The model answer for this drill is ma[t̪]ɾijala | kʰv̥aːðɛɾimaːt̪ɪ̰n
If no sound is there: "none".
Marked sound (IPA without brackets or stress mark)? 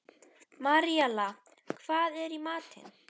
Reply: none